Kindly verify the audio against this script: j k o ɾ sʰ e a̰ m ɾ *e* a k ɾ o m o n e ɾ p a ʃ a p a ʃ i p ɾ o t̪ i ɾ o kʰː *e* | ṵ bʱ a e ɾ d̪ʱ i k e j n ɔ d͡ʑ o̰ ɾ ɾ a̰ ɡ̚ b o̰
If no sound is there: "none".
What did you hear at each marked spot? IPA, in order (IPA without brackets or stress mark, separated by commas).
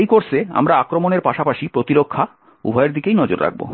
a, a